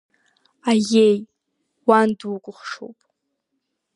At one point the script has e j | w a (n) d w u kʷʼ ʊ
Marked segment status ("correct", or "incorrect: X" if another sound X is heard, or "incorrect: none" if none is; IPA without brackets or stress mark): correct